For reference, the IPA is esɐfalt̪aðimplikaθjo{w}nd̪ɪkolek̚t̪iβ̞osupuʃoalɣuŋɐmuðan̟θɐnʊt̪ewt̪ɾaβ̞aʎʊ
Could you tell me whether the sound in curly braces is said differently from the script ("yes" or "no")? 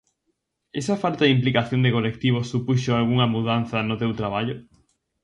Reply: yes